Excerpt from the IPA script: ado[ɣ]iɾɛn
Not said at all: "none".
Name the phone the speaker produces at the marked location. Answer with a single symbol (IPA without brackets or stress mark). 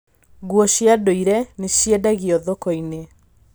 none